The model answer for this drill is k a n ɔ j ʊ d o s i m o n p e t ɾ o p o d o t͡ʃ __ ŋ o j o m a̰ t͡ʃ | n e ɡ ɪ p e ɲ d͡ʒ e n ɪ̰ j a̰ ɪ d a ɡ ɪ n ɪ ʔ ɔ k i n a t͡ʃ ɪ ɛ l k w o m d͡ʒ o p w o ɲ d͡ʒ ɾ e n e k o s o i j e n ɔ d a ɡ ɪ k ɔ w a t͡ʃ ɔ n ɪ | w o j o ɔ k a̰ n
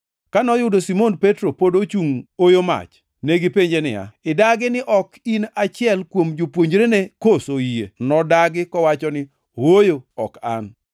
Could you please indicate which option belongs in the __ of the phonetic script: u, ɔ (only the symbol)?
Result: u